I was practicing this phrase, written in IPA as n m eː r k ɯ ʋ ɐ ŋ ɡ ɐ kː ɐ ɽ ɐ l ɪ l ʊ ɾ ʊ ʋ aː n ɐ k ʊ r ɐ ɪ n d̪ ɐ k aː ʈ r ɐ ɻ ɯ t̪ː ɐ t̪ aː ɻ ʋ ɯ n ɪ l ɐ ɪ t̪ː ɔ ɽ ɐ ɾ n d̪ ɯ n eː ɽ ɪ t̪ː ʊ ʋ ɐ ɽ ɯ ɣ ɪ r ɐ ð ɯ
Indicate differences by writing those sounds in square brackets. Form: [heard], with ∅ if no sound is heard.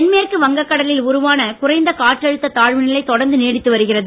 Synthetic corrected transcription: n m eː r k ɯ ʋ ɐ ŋ ɡ ɐ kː ɐ ɽ ɐ l ɪ l ʊ ɾ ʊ ʋ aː n ɐ k ʊ r ɐ ɪ n d̪ ɐ k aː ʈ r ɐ ɻ ɯ t̪ː ɐ t̪ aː ɻ ʋ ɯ n ɪ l ɐ ɪ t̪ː ɔ ɽ ɐ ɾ n d̪ ɯ n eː ɽ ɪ t̪ː [ɯ] ʋ ɐ [ɾ] ɯ ɣ ɪ r ɐ ð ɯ